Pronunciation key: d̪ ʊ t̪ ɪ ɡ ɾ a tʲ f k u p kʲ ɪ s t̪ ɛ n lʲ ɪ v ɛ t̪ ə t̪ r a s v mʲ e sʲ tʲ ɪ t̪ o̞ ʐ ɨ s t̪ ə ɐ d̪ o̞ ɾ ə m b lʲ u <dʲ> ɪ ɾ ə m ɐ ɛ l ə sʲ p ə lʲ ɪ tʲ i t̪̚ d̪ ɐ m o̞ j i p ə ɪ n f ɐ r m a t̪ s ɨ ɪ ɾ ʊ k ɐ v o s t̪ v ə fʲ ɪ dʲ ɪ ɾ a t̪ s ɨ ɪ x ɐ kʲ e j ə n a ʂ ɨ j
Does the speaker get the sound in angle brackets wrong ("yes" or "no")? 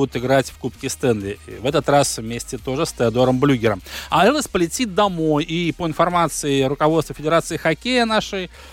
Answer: yes